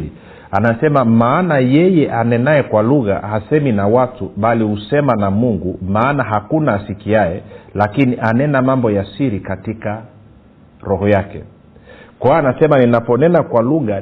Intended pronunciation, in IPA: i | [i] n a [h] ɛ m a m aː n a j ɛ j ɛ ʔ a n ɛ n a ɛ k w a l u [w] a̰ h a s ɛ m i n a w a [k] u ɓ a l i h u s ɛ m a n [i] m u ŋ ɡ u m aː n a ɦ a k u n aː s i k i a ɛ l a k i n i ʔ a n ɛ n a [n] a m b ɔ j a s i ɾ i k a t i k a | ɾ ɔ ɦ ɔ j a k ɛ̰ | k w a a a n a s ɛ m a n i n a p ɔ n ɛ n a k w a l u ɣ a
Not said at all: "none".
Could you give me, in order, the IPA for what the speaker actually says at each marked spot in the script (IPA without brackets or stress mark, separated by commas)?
a, s, ɣ, t, a, m